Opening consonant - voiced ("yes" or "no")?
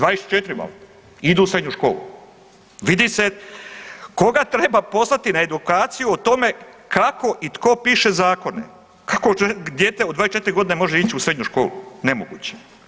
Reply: yes